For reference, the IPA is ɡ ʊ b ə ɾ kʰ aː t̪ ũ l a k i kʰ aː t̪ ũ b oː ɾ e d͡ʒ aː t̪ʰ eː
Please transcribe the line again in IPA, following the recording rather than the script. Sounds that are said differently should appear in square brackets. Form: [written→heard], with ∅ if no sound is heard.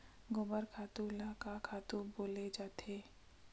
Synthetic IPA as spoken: ɡ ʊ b ə ɾ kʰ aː t̪ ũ l a k [i→a] kʰ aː t̪ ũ b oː [ɾ→l] e d͡ʒ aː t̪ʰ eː